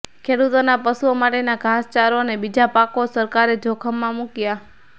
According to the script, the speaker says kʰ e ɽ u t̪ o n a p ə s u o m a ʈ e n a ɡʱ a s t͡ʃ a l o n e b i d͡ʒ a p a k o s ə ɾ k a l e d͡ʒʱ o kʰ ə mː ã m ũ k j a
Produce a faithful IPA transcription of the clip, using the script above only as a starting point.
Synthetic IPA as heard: kʰ e ɽ u t̪ o n a p ə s u o m a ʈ e n a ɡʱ a s t͡ʃ a ɾ o n e b i d͡ʒ a p a k o s ə ɾ k a ɾ e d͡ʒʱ o kʰ ə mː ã m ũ k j a